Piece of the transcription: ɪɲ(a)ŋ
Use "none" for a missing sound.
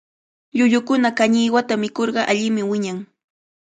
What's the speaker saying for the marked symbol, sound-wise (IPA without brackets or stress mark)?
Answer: a